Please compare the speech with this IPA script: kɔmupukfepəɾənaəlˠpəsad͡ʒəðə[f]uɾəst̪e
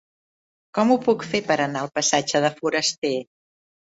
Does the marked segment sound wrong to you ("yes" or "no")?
no